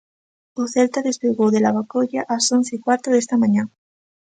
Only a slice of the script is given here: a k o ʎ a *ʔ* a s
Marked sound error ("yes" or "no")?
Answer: no